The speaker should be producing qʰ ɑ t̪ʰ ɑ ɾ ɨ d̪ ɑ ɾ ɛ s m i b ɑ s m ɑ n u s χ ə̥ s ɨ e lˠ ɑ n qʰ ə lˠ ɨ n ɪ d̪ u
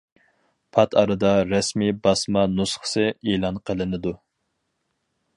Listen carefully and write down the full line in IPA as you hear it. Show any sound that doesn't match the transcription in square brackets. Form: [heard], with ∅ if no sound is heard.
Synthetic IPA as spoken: [pʰ] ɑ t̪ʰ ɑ ɾ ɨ d̪ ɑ ɾ ɛ s m i b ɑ s m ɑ n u s χ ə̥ s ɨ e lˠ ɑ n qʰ ə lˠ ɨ n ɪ d̪ u